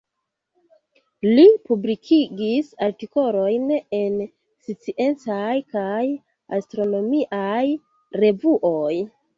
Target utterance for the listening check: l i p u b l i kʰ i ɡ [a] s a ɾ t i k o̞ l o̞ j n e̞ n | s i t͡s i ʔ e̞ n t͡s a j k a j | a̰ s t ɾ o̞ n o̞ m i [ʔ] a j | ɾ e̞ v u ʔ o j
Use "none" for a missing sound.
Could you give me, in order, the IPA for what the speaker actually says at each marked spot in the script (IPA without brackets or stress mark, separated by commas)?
i, ʔ